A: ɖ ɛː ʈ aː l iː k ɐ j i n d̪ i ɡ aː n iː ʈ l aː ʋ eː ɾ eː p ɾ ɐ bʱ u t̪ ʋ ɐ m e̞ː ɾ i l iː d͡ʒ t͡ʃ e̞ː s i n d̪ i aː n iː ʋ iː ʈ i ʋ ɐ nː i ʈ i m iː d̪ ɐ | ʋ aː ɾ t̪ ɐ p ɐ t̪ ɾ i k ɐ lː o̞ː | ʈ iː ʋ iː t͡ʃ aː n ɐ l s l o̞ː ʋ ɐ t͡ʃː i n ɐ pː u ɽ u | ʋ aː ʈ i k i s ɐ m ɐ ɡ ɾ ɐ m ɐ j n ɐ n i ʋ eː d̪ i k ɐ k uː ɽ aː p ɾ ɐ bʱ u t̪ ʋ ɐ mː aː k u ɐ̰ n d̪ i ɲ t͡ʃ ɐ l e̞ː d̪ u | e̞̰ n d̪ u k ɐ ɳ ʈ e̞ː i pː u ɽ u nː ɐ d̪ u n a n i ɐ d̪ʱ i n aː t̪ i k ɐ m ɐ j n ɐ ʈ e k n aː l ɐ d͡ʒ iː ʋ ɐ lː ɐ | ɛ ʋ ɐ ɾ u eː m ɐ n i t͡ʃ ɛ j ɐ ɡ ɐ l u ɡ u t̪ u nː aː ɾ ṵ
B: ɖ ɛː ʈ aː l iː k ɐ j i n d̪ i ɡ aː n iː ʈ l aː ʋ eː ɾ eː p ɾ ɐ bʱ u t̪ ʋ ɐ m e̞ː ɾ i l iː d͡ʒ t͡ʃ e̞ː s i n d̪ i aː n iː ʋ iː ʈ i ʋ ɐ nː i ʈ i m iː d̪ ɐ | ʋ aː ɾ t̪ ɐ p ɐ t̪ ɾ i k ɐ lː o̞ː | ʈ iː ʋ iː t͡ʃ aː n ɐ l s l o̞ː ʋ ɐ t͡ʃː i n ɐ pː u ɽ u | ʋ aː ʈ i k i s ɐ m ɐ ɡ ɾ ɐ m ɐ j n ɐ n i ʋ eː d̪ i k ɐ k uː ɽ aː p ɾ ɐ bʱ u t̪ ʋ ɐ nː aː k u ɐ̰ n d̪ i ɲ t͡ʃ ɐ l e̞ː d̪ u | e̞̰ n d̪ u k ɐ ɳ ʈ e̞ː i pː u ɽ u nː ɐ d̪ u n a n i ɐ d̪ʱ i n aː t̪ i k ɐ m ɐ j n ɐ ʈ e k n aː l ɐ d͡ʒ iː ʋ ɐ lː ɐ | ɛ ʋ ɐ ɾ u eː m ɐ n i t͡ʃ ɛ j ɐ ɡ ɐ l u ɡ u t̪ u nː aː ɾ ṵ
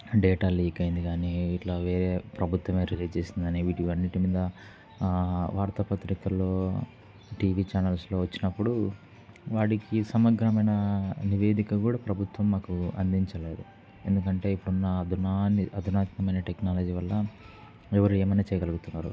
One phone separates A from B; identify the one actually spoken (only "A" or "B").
A